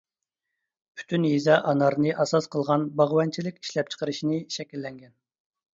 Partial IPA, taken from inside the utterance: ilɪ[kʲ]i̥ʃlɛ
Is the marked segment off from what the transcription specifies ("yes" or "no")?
no